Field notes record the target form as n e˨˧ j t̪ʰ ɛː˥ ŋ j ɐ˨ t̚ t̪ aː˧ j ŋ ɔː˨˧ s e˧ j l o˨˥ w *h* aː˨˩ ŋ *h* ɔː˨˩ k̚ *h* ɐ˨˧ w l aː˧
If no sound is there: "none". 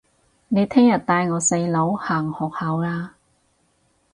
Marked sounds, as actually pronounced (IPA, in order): h, h, h

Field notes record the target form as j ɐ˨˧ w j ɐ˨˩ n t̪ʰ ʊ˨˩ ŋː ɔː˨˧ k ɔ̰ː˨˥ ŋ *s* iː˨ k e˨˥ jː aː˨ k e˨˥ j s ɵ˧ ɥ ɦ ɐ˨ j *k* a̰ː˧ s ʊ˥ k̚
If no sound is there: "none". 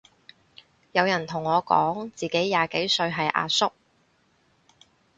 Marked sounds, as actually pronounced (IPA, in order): t͡s, ʔ

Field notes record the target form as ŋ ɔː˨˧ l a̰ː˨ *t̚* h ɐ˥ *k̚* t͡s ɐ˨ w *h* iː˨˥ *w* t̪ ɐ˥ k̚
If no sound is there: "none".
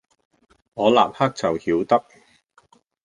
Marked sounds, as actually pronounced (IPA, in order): p̚, k̚, h, w

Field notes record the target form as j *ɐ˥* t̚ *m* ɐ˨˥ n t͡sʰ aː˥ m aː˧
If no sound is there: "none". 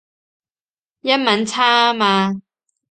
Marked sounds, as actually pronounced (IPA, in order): ɐ˥, m

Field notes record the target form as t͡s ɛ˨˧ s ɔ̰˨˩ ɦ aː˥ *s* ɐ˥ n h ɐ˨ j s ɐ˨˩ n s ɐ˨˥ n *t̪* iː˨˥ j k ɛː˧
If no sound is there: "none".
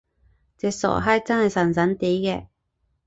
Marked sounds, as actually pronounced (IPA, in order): t͡s, t̪

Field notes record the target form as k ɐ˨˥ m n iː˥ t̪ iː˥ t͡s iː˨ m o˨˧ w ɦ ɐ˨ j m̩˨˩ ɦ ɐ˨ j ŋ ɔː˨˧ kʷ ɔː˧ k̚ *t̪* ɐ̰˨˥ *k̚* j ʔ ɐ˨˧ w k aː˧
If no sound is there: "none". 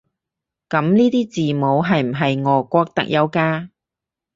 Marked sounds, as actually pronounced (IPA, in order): t̪, k̚

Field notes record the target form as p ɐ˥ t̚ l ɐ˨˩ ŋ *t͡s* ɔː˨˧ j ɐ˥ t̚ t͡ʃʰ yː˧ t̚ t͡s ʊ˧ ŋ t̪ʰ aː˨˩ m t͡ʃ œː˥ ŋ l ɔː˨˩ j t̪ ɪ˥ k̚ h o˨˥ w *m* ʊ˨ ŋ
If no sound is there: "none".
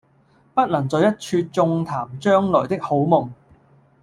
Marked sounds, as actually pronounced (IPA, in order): t͡s, m

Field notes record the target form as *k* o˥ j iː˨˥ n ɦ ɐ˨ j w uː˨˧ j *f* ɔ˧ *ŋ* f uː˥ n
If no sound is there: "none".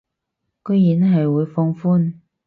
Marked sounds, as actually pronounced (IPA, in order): k, f, ŋ

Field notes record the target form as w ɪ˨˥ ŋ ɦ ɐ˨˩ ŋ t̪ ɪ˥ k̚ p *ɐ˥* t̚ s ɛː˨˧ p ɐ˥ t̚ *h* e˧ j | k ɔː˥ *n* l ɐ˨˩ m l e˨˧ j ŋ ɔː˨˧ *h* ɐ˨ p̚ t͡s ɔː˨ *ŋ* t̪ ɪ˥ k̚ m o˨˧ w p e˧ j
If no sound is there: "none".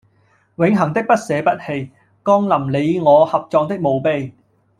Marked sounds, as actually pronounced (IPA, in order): ɐ˥, h, ŋ, h, ŋ

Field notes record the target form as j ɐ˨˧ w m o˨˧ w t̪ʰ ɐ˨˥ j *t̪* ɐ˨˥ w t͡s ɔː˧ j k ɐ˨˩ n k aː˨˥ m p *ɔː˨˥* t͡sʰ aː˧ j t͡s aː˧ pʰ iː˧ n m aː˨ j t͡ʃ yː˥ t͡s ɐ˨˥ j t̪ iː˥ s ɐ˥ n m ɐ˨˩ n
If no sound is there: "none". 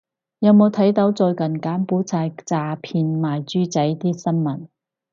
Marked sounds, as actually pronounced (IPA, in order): t̪, uː˨˥

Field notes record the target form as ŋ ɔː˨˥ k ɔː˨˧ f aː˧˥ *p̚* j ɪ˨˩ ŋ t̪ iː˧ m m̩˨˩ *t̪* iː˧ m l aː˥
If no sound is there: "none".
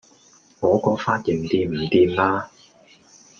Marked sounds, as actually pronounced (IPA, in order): t̚, t̪

